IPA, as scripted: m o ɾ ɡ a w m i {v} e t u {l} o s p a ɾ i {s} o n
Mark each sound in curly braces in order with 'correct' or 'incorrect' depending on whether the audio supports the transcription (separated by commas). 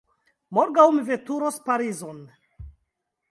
correct, incorrect, incorrect